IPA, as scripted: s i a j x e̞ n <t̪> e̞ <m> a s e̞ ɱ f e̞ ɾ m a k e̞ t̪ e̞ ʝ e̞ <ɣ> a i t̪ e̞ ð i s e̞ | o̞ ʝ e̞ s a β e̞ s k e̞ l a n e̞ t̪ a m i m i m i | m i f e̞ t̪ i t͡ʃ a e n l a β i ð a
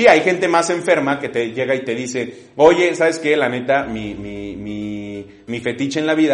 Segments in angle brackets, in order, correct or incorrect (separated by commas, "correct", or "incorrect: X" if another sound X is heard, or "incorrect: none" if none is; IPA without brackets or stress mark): correct, correct, correct